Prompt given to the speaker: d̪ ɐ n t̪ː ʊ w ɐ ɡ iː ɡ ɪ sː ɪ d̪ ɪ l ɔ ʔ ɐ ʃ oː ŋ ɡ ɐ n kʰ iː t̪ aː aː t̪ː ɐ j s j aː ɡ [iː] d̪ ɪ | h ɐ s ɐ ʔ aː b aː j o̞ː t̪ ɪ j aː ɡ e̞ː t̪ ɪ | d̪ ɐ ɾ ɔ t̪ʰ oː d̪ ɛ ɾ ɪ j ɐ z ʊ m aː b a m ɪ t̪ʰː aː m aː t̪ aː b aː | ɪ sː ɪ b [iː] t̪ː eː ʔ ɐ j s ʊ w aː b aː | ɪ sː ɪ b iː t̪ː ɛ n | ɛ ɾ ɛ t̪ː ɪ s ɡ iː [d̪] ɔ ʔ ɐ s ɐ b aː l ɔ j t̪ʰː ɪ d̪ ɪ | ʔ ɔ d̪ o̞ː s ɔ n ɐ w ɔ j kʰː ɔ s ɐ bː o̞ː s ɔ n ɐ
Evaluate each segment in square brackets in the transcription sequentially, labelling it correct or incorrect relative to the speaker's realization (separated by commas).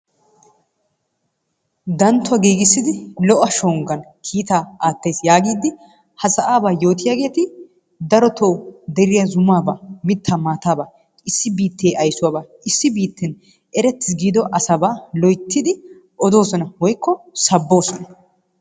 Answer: correct, correct, correct